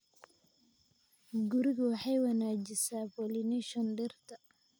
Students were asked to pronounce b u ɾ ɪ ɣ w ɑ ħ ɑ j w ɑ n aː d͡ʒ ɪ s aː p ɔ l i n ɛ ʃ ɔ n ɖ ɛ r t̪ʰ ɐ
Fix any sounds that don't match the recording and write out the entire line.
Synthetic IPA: ɡ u ɾ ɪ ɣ w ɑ ħ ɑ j w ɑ n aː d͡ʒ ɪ s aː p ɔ l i n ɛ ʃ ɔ n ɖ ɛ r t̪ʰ ɐ